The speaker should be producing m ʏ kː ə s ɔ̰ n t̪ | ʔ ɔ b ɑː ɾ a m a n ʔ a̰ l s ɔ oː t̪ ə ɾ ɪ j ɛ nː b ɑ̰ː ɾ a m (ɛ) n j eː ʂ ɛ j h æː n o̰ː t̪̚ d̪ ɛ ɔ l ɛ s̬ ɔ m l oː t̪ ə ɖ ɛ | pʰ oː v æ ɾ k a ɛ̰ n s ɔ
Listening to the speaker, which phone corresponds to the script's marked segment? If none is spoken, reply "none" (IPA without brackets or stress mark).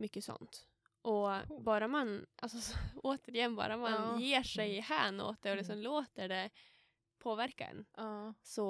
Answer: a